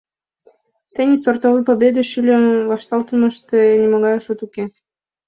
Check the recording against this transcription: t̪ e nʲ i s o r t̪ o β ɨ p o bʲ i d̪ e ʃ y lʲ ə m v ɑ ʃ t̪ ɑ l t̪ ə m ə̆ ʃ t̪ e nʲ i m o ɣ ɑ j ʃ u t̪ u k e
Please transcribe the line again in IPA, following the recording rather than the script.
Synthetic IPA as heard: t̪ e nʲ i s o r t̪ o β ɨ p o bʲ e d̪ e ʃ y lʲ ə m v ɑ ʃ t̪ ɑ l t̪ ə m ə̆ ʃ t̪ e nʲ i m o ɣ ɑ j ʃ u t̪ u k e